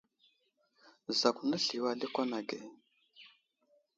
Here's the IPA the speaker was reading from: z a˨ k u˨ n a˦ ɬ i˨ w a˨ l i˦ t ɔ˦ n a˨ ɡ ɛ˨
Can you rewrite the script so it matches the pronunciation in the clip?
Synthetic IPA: z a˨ k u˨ n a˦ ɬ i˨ w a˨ l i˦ k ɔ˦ n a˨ ɡ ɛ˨

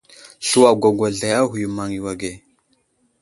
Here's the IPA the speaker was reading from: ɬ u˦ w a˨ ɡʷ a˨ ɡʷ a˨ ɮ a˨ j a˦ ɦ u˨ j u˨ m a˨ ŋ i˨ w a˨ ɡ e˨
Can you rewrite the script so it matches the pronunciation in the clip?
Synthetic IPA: ɬ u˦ w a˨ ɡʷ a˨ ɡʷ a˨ ɮ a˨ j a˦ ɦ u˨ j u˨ m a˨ ŋ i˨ w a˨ ɡ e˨

